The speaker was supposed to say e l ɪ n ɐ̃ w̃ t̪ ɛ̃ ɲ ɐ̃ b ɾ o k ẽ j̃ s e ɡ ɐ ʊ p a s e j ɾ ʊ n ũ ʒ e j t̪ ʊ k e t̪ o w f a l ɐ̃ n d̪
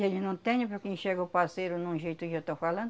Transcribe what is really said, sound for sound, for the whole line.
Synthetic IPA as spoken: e l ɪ n ɐ̃ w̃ t̪ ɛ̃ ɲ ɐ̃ p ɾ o k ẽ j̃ ʃ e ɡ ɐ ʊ p a s e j ɾ ʊ n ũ ʒ e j t̪ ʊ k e t̪ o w f a l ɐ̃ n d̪

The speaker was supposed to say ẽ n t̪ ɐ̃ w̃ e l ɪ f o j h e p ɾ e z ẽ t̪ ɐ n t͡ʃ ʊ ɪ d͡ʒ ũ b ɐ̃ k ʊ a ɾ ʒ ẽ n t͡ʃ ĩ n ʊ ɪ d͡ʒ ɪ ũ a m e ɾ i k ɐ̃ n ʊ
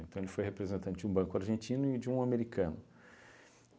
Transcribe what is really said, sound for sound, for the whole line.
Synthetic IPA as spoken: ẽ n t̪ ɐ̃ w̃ e l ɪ f o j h e p ɾ e z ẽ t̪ ɐ̃ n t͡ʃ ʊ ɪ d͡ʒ ũ b ɐ̃ k ʊ a ɾ ʒ ẽ n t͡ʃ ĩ n ʊ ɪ d͡ʒ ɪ ũ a m e ɾ i k ɐ̃ n ʊ

